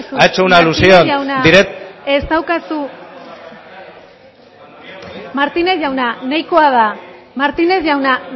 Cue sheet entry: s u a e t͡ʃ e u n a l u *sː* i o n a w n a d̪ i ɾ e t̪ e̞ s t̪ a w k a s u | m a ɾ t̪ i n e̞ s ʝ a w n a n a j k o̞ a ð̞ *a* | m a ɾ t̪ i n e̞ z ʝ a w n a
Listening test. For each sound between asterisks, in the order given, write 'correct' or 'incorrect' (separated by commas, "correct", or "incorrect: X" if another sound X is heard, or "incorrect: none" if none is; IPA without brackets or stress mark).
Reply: incorrect: s, correct